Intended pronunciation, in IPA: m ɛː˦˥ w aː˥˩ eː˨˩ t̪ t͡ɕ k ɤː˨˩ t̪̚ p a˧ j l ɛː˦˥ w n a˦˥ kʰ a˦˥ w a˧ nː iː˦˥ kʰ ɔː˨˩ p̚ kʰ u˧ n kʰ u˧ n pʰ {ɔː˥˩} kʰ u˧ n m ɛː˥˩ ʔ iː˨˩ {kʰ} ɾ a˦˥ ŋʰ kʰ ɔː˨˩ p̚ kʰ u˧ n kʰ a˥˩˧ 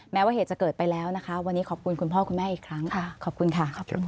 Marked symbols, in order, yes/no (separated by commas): yes, yes